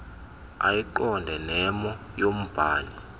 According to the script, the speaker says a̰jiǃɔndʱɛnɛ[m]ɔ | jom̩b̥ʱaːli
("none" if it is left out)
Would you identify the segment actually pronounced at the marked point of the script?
m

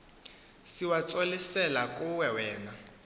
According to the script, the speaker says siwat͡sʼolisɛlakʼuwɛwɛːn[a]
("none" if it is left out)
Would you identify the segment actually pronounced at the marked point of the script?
a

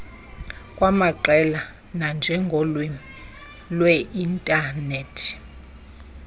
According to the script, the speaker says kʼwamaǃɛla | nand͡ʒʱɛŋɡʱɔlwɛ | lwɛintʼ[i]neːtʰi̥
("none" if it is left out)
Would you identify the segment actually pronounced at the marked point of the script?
a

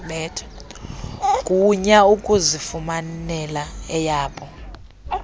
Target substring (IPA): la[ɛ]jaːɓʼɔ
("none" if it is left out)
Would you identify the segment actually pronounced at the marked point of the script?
ɛ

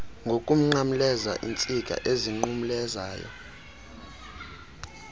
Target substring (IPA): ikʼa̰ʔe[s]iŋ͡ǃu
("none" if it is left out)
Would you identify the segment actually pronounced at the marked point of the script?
z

